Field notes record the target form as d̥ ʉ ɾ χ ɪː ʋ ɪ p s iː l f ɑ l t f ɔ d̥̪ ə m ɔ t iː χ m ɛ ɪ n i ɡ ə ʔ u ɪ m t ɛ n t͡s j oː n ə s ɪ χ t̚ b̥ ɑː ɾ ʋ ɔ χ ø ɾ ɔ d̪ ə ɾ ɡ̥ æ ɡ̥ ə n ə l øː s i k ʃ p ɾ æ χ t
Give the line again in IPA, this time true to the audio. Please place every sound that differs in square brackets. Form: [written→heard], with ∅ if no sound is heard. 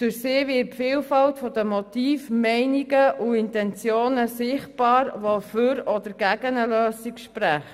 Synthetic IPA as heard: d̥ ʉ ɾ [χ→s] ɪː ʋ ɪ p [s→f] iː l f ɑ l t f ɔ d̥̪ ə m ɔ t iː [χ→f] m ɛ ɪ n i ɡ ə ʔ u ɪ [m→n] t ɛ n t͡s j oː n ə s ɪ χ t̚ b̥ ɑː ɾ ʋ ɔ [χ→f] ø ɾ ɔ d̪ ə ɾ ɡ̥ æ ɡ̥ ə n ə l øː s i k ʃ p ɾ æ χ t